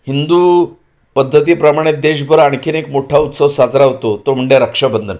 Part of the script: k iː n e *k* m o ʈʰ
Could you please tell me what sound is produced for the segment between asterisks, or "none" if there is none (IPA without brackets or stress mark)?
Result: k